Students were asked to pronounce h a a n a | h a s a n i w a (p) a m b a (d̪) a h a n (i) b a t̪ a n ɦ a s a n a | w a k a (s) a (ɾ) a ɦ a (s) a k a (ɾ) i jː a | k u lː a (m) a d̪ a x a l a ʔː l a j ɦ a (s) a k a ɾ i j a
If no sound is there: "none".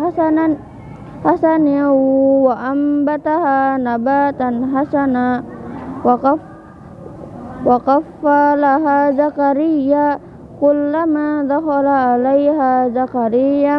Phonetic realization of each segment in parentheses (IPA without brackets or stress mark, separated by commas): ʔ, t̪, a, f, l, z, ɾ, m, z